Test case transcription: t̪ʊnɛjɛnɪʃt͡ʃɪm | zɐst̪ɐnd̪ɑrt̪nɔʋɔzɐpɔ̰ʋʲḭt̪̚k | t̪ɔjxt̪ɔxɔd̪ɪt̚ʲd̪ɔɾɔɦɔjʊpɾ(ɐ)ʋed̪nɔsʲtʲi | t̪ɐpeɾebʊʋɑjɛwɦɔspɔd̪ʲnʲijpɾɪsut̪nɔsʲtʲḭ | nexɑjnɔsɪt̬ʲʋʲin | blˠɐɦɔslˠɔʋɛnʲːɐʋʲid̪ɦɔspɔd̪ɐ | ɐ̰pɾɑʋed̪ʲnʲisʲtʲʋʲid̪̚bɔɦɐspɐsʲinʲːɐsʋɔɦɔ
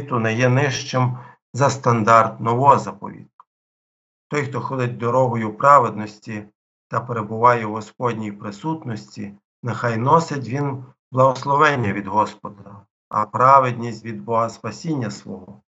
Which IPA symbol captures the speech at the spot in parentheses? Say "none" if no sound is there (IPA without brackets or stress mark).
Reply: ɑ